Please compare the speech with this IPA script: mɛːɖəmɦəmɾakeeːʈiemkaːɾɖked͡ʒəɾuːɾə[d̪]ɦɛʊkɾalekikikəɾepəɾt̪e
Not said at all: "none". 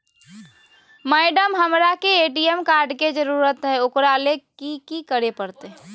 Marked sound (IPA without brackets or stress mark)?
t̪